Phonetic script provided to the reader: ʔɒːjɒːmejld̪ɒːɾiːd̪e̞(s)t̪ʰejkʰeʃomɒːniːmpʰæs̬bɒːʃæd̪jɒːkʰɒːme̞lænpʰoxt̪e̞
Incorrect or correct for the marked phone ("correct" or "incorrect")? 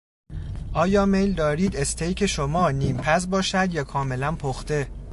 correct